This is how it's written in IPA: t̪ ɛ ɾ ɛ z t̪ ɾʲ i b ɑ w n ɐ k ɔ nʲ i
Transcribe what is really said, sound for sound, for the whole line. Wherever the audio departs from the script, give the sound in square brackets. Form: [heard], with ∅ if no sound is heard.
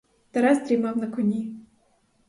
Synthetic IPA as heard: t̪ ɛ ɾ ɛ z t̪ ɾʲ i [m] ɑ w n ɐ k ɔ nʲ i